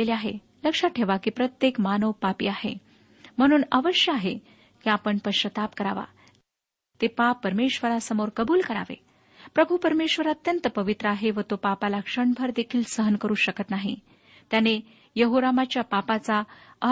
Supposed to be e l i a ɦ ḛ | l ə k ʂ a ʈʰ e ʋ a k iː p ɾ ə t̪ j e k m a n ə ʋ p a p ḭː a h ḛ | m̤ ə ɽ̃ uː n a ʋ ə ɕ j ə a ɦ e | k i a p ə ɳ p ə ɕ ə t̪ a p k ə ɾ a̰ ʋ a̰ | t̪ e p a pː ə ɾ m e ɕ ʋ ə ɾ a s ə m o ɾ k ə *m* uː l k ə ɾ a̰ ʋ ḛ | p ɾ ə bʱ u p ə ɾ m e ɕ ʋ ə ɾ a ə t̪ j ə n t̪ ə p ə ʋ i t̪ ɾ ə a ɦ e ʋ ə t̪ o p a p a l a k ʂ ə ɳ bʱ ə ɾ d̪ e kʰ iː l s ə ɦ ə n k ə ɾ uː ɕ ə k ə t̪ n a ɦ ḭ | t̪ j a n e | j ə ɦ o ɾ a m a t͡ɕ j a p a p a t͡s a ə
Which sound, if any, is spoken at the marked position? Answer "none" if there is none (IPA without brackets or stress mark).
b